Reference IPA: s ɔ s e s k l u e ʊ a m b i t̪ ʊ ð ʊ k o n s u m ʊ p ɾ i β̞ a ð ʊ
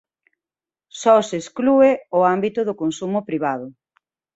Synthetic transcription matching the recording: s ɔ s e s k l u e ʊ a m b i t̪ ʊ ð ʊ k o n s u m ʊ p ɾ i β̞ a ð ʊ